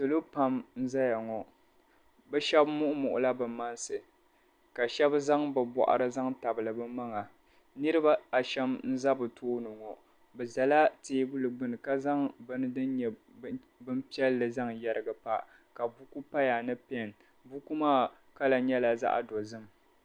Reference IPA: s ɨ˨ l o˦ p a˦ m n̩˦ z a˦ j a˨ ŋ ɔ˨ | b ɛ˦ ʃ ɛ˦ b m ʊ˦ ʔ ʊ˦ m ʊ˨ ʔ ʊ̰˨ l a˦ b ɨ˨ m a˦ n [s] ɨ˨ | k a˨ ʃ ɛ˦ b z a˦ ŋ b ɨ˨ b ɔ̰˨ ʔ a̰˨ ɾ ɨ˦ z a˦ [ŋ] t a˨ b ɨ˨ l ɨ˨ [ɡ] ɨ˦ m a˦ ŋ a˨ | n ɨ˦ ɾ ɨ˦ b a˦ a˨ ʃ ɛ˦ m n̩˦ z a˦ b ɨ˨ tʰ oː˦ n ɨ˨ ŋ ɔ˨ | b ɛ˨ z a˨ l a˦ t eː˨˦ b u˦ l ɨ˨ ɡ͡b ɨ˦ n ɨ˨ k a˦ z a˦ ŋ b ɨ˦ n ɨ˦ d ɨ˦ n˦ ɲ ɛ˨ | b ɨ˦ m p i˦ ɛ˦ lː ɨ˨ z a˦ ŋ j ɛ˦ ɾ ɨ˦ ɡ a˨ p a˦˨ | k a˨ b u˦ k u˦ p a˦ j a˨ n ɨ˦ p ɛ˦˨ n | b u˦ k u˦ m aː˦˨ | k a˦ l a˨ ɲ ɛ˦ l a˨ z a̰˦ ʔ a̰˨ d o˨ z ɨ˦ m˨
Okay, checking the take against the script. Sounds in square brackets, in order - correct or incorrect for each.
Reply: correct, correct, incorrect: b

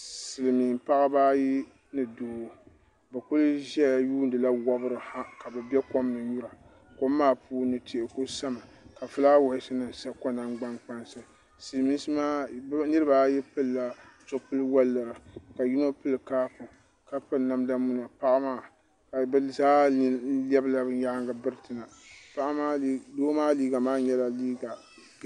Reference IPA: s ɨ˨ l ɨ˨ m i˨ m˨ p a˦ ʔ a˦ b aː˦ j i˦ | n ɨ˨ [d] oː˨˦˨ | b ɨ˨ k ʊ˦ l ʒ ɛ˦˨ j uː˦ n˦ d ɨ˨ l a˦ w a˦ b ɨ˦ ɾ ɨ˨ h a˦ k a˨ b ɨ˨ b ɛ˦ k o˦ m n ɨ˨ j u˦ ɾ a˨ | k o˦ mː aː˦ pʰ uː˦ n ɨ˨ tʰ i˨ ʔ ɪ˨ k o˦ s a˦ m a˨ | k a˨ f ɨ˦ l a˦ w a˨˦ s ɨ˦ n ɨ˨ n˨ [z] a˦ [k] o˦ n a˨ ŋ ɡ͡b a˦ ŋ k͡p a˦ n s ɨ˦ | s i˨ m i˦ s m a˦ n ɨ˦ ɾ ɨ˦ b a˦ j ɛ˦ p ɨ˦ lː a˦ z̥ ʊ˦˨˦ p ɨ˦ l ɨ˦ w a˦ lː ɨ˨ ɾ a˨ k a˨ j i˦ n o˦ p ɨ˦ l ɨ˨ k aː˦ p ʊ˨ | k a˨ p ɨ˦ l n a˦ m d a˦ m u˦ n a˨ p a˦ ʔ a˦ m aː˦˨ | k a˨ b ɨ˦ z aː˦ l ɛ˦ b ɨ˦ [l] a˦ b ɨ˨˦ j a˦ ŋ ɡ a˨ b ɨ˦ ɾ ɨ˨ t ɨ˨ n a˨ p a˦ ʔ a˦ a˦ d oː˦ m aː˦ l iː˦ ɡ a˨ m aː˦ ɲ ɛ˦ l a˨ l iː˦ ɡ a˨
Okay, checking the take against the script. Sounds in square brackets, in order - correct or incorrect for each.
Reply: correct, incorrect: s, correct, correct

